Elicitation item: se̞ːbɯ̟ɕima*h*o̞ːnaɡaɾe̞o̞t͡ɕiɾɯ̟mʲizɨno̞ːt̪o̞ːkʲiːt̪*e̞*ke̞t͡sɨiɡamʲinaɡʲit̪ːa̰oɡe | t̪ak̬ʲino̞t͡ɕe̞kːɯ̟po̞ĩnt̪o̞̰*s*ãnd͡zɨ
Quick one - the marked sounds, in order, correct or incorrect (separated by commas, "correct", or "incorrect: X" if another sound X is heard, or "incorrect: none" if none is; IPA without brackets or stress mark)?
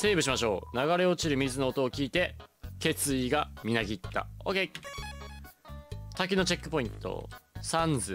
incorrect: ɕ, correct, correct